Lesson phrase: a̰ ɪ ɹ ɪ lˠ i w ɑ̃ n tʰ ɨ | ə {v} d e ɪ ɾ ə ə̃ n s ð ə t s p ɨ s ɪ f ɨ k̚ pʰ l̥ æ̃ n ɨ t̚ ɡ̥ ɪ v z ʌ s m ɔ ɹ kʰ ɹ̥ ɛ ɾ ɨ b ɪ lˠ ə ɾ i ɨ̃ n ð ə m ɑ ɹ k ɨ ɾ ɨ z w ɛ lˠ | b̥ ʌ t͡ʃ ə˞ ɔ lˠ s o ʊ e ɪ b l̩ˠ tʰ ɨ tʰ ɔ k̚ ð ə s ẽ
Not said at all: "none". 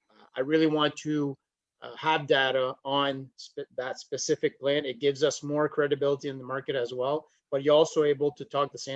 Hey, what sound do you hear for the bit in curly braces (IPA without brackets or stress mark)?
v